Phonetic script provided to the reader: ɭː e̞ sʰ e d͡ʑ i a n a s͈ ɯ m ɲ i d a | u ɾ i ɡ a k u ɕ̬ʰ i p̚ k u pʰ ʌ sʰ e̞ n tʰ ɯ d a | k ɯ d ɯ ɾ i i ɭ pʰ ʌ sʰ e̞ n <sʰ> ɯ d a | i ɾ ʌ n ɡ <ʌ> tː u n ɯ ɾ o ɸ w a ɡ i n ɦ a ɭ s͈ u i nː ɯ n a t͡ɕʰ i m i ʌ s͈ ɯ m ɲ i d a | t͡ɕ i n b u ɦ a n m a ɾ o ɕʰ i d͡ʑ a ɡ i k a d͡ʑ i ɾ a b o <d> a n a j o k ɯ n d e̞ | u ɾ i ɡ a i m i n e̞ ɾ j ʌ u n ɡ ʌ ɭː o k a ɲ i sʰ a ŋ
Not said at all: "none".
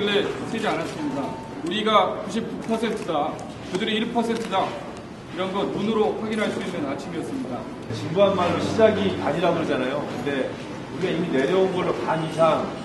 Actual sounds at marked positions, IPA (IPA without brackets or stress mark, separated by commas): tʰ, ʌ, d͡ʑ